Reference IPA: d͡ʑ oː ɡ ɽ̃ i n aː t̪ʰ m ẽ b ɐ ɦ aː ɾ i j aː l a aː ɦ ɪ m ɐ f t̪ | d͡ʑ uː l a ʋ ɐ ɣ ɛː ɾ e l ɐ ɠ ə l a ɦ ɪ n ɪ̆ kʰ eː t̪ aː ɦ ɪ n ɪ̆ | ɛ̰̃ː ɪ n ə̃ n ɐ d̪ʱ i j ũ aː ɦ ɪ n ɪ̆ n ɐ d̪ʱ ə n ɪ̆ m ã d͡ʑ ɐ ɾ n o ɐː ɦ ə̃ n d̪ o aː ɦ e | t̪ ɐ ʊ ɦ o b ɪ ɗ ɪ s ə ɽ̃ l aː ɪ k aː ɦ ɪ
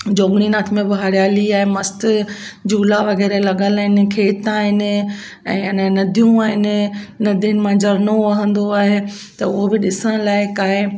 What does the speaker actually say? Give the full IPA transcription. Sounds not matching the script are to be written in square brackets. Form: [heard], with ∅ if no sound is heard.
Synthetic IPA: d͡ʑ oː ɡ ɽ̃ i n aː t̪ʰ m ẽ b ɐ ɦ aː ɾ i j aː l [i] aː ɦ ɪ m ɐ [s] t̪ | d͡ʑ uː l a ʋ ɐ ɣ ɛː ɾ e l ɐ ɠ ə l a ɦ ɪ n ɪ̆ kʰ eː t̪ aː ɦ ɪ n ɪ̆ | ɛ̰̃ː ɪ n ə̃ n ɐ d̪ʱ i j ũ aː ɦ ɪ n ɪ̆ n ɐ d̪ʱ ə n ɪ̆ m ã d͡ʑ ɐ ɾ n o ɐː ɦ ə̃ n d̪ o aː ɦ e | t̪ ɐ ʊ ɦ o b ɪ ɗ ɪ s ə ɽ̃ l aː ɪ k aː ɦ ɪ